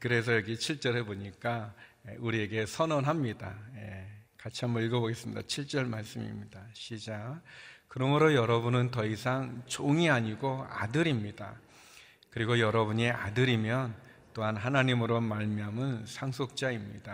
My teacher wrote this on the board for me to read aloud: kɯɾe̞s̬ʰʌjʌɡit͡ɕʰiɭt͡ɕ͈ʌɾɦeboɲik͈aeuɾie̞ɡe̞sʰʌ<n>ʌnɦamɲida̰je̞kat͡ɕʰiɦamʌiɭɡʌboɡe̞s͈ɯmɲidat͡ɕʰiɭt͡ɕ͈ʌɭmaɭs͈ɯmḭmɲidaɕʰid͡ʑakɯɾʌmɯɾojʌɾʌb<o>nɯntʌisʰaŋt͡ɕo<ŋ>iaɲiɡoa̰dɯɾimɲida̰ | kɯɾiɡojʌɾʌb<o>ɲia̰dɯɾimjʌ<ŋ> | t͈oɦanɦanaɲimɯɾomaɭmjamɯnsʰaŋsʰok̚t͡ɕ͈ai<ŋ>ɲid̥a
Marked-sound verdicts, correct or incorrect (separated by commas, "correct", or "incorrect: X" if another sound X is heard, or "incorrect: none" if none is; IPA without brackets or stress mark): correct, incorrect: u, correct, incorrect: u, incorrect: n, incorrect: m